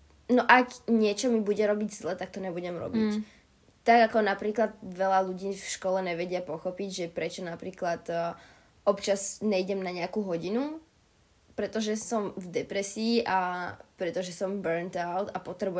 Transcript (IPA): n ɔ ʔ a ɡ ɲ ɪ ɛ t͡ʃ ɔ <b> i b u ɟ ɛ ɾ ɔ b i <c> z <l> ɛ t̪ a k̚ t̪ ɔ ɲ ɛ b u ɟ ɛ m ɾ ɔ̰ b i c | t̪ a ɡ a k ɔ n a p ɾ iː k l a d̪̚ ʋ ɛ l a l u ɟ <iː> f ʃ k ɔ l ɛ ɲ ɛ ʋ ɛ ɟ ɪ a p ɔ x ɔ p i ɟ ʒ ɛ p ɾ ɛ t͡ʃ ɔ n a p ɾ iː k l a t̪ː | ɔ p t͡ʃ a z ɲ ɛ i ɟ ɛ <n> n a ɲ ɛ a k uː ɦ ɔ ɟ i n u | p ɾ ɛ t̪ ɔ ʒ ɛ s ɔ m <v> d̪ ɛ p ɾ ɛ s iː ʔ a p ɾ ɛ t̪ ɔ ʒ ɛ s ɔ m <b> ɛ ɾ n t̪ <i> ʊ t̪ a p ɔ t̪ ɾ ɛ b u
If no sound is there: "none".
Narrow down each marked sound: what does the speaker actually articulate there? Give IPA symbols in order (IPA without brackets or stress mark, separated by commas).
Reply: m, ɟ, l, iː, m, v, b, a